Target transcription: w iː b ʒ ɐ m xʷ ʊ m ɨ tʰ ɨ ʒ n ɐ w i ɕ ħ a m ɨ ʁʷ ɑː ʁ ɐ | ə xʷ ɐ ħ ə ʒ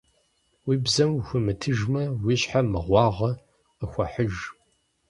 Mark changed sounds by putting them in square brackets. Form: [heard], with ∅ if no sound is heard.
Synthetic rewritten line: w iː b [z] ɐ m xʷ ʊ m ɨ tʰ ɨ ʒ [m] ɐ w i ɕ ħ a m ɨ ʁʷ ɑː ʁ ɐ | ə xʷ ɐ ħ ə ʒ

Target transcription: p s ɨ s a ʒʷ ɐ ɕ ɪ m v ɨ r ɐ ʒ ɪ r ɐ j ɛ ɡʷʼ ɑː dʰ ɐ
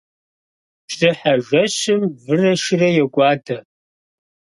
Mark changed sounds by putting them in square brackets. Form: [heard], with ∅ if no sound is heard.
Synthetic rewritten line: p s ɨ [ħ] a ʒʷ ɐ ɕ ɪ m v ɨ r ɐ [ʃ] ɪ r ɐ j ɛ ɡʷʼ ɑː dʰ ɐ

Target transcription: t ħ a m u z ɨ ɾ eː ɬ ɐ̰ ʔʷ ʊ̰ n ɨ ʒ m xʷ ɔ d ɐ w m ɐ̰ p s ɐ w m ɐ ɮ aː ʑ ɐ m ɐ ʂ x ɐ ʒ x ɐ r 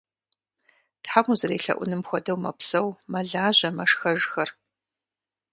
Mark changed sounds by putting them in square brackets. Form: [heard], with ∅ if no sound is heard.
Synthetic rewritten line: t ħ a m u z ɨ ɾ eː ɬ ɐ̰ ʔʷ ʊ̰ n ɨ [∅] m xʷ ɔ d ɐ w m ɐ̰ p s ɐ w m ɐ ɮ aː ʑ ɐ m ɐ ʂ x ɐ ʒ x ɐ r

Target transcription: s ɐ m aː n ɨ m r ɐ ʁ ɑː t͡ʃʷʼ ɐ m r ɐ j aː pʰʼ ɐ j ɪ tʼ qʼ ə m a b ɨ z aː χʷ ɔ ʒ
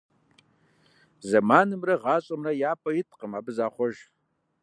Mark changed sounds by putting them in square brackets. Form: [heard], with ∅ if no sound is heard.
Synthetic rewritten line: [z] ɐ m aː n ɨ m r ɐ ʁ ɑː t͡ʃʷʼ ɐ m r ɐ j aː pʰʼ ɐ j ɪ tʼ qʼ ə m a b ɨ z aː χʷ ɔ ʒ

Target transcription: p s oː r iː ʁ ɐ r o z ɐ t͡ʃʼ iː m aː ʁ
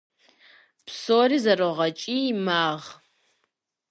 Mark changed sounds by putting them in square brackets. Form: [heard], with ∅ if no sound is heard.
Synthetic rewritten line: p s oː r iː [z] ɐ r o [ʁ] ɐ t͡ʃʼ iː m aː ʁ

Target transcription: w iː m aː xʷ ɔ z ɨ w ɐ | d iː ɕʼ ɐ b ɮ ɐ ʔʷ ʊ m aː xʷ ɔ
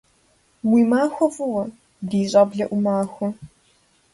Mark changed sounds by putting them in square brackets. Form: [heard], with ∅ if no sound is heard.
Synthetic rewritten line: w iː m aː xʷ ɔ [v] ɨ w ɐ | d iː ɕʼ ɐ b ɮ ɐ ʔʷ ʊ m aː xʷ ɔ

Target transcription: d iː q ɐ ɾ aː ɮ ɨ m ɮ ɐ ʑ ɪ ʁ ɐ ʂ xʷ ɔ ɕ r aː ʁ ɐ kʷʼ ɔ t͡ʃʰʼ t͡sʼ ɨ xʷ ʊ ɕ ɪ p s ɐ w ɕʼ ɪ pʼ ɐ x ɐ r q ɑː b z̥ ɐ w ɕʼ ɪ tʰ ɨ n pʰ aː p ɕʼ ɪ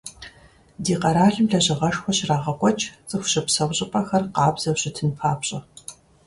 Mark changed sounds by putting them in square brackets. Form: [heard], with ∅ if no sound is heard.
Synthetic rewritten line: d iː q ɐ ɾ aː ɮ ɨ m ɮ ɐ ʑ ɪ ʁ ɐ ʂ xʷ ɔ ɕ r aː ʁ ɐ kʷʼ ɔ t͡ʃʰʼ t͡sʼ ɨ xʷ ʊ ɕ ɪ p s ɐ w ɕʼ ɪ pʼ ɐ x ɐ r q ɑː b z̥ ɐ w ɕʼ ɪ tʰ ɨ n pʰ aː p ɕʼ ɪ

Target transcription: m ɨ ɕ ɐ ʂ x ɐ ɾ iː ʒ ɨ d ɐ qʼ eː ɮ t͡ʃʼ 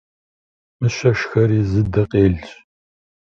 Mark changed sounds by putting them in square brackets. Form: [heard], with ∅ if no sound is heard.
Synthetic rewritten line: m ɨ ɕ ɐ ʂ x ɐ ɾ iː [z] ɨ d ɐ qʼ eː ɮ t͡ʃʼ

